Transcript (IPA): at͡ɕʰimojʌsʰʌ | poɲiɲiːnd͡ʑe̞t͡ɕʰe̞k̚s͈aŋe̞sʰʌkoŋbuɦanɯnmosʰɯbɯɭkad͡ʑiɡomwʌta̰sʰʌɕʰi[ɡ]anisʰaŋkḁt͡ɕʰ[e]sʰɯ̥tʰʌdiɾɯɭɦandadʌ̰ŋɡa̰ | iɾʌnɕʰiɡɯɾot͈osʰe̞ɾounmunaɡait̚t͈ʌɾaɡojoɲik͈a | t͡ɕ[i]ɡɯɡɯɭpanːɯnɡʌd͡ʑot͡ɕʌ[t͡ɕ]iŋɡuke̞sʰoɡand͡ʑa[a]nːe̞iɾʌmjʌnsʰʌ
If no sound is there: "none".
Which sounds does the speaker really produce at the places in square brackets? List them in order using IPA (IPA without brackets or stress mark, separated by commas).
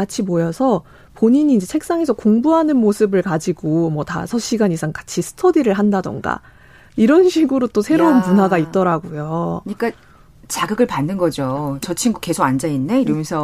ɡ, i, a, t͡ɕʰ, i